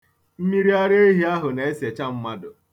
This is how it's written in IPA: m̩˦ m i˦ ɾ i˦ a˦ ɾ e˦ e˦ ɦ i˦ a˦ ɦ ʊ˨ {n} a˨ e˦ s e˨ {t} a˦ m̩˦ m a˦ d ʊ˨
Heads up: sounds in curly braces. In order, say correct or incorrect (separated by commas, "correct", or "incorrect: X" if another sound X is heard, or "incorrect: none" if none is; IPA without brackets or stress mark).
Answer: correct, incorrect: t͡ʃ